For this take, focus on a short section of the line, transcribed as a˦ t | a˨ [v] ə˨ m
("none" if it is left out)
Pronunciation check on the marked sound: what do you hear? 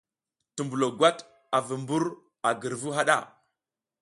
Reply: v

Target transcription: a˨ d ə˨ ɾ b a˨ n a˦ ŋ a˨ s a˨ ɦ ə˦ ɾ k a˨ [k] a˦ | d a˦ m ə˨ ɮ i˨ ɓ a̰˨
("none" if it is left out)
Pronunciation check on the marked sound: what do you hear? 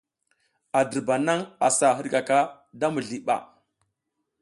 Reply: k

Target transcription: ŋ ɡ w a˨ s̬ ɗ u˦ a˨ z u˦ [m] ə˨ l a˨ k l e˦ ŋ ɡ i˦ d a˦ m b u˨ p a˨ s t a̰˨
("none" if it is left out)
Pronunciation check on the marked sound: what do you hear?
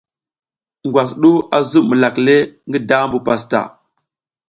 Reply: m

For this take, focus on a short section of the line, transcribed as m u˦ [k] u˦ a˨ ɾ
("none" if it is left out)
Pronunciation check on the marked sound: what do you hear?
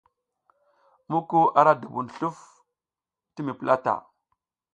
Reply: k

